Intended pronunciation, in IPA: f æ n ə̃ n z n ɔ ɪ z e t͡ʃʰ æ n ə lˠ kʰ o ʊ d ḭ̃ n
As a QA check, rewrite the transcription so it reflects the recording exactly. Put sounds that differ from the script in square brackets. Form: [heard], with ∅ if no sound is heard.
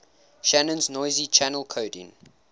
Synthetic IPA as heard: [ʃ] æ n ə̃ n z n ɔ ɪ z [i] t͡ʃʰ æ n ə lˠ kʰ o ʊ d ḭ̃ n